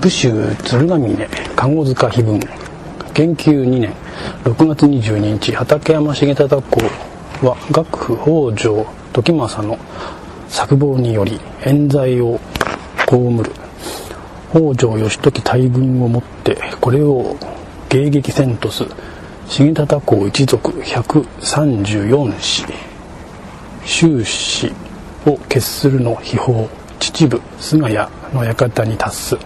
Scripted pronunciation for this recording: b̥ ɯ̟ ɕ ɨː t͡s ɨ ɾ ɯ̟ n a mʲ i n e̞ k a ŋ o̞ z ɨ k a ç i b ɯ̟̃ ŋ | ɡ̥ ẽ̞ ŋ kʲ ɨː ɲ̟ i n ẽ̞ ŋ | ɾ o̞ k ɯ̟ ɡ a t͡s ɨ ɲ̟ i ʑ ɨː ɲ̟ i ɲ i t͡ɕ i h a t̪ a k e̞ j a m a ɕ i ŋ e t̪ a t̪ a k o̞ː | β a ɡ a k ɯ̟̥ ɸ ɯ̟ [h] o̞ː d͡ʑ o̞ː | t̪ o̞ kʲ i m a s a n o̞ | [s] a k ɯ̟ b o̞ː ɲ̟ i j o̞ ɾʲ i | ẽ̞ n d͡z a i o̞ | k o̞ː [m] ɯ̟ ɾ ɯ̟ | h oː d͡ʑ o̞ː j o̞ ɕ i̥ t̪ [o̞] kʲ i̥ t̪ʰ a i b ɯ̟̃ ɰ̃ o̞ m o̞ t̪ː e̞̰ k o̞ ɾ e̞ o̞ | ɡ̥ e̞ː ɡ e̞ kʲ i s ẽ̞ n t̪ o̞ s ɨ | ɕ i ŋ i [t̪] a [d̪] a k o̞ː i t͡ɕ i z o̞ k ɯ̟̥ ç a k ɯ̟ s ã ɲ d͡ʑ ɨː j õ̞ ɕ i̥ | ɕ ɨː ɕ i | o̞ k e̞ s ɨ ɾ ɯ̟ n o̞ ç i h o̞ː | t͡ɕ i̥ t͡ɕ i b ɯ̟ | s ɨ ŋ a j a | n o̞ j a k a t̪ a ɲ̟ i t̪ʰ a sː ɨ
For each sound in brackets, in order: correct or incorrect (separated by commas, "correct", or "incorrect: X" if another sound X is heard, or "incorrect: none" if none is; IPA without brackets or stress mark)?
correct, correct, correct, correct, correct, incorrect: t̪